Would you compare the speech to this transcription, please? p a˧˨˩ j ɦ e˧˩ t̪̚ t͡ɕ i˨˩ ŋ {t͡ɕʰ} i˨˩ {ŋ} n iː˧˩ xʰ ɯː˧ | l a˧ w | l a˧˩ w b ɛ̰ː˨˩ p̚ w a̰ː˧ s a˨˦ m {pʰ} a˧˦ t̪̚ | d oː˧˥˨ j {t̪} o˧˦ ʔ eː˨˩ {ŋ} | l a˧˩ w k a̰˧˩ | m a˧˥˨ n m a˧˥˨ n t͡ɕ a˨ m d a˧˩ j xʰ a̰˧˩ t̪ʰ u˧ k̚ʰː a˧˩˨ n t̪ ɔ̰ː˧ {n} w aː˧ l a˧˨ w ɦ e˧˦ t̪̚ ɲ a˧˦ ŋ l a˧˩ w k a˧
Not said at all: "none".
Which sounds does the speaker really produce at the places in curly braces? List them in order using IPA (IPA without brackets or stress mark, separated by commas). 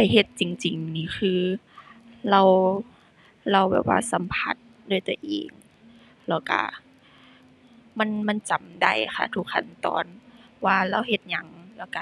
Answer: t͡ɕ, ŋ, pʰ, t̪, ŋ, n